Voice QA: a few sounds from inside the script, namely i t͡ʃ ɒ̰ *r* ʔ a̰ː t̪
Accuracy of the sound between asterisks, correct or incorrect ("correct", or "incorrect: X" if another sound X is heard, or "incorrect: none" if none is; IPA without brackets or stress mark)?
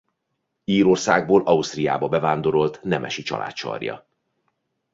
incorrect: l